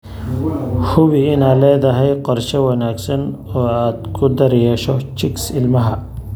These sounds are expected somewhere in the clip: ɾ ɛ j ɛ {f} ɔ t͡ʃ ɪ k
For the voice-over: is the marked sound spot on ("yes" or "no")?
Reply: no